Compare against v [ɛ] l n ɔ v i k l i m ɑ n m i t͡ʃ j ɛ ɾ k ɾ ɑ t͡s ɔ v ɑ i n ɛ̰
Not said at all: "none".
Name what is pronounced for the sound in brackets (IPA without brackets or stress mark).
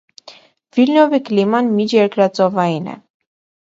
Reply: i